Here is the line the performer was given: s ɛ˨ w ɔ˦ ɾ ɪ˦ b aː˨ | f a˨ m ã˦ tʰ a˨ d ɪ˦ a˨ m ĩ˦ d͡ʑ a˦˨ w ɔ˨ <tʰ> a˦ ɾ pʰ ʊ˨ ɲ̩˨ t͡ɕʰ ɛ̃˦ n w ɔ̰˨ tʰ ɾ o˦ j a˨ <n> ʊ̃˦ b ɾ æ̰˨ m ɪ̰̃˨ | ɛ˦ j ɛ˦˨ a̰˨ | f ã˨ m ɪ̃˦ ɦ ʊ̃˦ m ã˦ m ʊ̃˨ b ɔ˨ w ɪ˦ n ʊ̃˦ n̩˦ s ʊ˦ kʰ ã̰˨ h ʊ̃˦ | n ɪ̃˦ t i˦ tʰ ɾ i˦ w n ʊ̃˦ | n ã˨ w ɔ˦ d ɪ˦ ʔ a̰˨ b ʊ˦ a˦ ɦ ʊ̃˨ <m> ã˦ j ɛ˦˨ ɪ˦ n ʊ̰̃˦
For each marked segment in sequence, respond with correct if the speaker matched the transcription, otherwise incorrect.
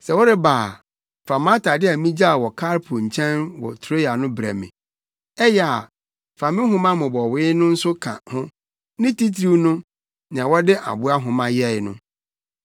incorrect: kʰ, correct, correct

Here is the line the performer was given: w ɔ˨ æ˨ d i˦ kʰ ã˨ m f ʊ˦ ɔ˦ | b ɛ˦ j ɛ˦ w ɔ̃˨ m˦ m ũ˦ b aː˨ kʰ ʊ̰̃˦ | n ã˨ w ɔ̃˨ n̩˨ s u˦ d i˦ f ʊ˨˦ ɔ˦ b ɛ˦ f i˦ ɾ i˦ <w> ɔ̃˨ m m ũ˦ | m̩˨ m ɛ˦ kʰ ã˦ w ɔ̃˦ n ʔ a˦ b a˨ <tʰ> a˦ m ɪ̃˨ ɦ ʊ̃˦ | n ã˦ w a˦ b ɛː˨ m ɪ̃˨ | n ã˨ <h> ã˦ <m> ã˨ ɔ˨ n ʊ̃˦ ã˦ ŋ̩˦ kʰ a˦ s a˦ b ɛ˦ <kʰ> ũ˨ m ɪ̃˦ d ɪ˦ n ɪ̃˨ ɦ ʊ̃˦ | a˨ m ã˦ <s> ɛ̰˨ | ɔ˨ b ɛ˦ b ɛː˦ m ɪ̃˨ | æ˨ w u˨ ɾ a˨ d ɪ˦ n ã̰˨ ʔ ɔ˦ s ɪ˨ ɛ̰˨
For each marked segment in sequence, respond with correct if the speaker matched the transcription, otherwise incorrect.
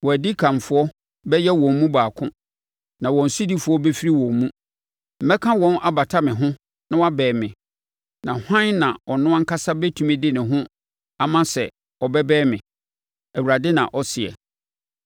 correct, correct, correct, incorrect: n, incorrect: tʰ, correct

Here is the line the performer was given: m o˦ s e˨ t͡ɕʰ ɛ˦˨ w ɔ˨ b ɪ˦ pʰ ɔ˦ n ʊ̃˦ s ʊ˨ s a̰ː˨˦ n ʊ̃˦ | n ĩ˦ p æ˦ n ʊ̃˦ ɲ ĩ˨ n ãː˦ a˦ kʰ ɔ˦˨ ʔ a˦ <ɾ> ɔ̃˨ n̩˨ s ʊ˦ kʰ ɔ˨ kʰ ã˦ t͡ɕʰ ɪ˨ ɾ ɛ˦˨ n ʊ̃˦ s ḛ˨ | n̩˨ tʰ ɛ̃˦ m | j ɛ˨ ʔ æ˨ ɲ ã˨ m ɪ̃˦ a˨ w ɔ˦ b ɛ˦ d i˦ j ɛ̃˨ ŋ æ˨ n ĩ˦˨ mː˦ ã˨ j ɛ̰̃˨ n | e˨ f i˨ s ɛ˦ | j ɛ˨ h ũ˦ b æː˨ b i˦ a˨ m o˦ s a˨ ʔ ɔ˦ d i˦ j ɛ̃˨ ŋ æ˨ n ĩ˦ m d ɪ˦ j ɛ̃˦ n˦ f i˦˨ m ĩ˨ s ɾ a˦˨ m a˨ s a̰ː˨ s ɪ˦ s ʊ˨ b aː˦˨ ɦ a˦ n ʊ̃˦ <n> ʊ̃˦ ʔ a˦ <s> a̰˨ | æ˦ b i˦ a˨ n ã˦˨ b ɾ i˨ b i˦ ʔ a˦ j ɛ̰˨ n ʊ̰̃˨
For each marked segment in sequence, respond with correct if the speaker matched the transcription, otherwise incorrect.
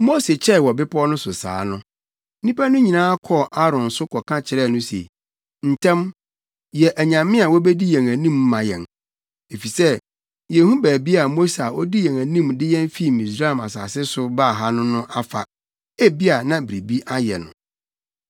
correct, correct, incorrect: f

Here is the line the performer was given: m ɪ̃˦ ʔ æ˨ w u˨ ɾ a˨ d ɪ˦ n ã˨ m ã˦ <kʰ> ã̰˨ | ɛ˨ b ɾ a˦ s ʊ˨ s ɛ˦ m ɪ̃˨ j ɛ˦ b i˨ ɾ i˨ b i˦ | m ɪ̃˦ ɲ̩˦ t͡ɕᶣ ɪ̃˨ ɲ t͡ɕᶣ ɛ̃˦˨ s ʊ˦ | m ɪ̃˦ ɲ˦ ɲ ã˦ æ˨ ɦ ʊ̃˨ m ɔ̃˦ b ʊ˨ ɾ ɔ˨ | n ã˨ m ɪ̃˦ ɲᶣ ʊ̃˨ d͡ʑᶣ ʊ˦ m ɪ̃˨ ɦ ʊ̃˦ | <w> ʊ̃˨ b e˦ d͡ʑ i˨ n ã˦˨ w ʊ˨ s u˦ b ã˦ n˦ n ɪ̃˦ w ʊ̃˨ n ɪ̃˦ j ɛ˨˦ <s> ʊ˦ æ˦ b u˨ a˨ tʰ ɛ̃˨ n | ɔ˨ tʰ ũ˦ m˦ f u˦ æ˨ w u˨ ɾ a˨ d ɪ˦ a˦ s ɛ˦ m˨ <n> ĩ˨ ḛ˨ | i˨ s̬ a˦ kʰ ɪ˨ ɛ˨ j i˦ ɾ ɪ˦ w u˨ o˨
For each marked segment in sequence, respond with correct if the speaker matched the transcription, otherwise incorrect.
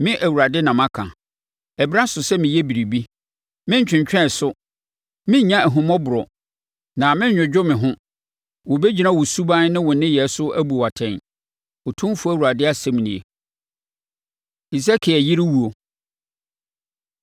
correct, correct, correct, correct

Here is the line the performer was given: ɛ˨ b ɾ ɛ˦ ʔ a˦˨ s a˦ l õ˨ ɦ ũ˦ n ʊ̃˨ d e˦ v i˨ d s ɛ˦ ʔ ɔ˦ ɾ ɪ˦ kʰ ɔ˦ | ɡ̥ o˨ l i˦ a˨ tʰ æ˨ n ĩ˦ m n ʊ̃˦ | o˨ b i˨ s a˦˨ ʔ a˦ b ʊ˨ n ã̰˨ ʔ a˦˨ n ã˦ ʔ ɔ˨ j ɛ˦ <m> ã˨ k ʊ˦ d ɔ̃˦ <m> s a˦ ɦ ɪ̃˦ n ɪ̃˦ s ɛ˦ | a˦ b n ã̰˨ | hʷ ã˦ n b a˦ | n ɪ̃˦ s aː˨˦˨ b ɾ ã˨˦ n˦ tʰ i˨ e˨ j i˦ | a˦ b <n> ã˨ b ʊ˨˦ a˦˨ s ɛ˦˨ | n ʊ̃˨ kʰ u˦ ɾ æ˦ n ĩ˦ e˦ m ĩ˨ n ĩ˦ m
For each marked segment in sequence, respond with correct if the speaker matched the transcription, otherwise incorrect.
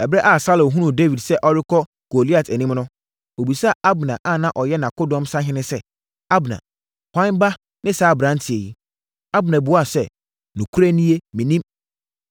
incorrect: n, correct, correct

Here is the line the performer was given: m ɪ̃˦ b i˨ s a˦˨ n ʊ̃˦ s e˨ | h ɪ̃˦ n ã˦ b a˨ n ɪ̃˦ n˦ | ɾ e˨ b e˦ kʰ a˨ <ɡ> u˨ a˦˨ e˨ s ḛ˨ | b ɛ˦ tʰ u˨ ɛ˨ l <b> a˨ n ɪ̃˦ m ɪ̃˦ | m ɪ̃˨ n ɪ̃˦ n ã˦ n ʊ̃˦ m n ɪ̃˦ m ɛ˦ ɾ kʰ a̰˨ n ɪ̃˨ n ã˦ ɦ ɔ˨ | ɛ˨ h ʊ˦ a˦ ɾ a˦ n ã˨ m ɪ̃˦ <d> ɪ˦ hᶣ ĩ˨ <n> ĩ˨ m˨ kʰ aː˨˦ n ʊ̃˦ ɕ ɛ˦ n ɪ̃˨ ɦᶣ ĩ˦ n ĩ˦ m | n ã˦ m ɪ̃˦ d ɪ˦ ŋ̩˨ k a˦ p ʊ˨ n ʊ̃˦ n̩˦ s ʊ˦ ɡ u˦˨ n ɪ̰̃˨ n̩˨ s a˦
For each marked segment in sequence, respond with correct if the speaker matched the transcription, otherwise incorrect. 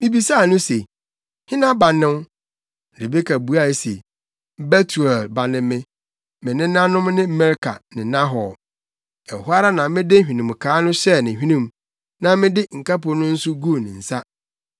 incorrect: b, correct, correct, correct

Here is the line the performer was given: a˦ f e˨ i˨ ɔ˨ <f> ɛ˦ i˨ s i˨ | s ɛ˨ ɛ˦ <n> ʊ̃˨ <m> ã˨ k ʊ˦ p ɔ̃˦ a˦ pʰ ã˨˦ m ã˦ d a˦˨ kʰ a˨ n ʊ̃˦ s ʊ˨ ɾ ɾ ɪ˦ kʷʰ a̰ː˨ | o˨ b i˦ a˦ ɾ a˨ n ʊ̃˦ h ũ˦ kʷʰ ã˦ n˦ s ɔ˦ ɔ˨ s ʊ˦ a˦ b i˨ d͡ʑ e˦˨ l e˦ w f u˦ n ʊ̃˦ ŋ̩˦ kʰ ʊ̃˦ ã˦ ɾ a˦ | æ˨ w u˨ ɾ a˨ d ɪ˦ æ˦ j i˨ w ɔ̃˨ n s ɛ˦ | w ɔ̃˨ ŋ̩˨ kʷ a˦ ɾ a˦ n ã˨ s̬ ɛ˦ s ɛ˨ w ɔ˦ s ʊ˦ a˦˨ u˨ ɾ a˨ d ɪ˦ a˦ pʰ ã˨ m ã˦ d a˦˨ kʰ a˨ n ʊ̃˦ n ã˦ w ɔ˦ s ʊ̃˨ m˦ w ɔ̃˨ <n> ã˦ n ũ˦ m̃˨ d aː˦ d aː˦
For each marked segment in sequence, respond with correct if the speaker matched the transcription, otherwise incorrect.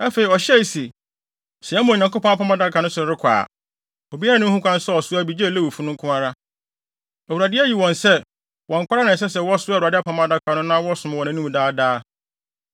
incorrect: ɕ, incorrect: m, incorrect: ɲ, correct

